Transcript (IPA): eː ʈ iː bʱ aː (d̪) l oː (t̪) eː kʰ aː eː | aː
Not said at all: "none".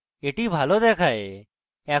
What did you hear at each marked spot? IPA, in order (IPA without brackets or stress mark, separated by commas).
none, d̪